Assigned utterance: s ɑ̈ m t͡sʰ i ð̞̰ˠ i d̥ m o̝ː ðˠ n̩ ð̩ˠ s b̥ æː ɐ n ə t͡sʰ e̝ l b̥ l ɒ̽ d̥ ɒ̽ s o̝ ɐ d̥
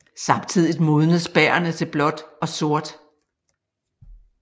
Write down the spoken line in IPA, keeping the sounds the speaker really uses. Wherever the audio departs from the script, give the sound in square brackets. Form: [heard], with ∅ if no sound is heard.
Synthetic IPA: s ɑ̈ m t͡sʰ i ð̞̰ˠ i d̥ m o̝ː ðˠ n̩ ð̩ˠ s b̥ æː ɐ n ə t͡sʰ e̝ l b̥ l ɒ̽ d̥ ɒ̽ s o̝ ɐ d̥